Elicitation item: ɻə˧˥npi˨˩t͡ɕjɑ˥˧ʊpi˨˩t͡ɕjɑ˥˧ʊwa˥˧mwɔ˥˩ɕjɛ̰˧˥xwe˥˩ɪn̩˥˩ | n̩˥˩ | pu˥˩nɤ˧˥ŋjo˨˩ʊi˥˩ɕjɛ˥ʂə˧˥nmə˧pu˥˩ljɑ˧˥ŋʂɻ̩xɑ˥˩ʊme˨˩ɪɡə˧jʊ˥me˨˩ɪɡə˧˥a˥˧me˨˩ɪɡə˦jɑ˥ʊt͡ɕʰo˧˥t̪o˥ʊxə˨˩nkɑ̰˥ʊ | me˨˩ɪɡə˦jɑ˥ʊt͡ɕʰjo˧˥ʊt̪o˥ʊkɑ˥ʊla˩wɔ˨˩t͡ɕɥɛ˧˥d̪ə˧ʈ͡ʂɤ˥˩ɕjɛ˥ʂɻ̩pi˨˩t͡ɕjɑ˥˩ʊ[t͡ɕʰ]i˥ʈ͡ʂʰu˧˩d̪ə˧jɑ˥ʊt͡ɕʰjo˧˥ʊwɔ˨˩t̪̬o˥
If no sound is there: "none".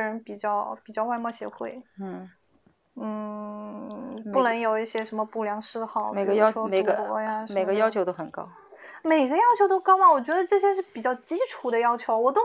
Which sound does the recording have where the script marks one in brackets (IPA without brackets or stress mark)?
t͡ɕ